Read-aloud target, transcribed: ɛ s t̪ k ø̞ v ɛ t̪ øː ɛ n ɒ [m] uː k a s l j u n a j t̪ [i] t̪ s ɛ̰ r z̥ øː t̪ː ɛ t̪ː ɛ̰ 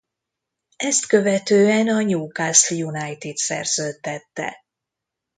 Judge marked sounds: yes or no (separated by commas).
no, yes